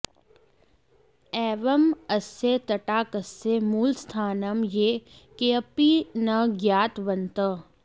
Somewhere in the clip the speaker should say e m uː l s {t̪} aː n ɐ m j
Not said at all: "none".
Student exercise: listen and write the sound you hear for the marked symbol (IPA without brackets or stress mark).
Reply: t̪ʰ